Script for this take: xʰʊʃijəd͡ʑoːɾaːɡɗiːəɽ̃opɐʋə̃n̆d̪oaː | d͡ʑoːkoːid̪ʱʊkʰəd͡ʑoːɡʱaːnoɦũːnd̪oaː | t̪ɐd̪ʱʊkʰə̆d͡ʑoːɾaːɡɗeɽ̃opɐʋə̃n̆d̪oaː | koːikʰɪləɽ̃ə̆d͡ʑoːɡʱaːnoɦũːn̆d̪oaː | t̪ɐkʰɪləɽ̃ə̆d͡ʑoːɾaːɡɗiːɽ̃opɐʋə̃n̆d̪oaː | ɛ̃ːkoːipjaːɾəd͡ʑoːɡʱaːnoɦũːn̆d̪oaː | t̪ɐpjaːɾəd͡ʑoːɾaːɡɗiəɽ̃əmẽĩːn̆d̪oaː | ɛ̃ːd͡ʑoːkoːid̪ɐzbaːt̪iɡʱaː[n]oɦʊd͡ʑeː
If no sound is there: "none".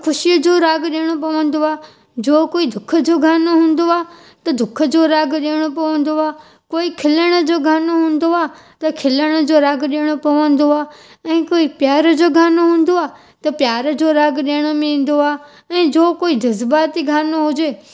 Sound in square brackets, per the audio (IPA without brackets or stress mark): n